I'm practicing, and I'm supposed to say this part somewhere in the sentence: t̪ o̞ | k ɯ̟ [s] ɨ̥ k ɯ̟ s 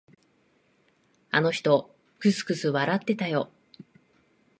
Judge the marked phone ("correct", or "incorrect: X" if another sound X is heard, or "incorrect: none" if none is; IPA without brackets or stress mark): correct